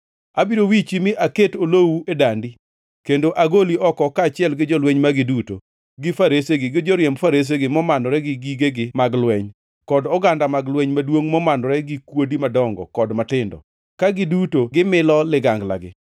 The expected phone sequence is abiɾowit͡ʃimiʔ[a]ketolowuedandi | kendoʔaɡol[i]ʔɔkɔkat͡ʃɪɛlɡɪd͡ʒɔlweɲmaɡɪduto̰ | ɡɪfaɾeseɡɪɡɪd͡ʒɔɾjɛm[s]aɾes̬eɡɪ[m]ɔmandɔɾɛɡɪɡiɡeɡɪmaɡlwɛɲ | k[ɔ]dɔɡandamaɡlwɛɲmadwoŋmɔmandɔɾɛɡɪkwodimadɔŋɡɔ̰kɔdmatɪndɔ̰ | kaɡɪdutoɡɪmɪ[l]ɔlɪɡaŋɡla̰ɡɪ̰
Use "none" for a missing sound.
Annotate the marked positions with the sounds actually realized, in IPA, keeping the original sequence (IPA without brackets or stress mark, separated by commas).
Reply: a, i, f, m, ɔ, l